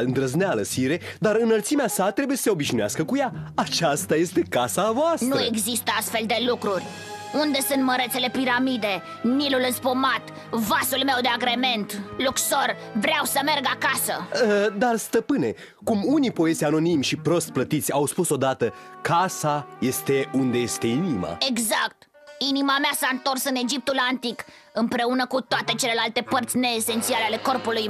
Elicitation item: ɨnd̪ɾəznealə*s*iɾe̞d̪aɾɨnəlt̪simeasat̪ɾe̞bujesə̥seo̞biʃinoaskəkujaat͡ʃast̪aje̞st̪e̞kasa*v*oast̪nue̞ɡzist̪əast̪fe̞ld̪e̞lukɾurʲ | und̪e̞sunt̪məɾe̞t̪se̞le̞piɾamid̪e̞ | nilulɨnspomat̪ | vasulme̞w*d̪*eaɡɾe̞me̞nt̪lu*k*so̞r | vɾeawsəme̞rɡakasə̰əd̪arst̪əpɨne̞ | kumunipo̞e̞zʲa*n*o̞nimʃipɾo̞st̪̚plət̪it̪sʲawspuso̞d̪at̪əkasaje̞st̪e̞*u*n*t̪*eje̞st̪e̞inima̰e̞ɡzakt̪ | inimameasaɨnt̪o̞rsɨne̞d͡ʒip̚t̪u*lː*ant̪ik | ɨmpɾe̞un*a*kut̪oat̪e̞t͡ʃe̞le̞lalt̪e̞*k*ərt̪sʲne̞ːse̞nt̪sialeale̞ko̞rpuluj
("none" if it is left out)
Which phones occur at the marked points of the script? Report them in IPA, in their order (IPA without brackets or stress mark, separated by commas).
s, v, d̪, k, n, u, d̪, l, ə, p